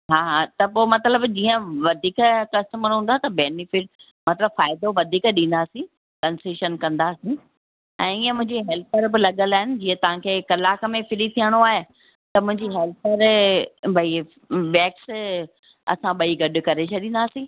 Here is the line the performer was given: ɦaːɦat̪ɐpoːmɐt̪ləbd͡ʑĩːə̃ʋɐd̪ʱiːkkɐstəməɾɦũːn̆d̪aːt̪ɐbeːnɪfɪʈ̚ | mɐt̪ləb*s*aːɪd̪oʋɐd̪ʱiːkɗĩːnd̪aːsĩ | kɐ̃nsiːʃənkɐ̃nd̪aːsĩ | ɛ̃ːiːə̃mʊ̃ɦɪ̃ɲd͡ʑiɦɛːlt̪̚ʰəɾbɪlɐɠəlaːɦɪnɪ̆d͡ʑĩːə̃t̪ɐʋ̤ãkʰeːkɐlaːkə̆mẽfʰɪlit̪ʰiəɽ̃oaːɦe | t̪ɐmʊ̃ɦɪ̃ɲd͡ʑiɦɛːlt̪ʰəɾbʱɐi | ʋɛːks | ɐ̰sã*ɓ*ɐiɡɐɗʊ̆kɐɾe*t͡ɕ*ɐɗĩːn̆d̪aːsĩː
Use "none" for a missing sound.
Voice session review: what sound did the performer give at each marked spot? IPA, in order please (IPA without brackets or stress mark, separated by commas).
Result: f, ɓ, t͡ɕʰ